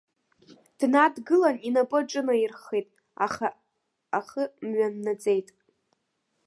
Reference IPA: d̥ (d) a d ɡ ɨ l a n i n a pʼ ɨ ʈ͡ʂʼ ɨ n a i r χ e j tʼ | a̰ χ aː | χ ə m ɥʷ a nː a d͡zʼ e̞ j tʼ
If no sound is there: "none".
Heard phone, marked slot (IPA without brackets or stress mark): n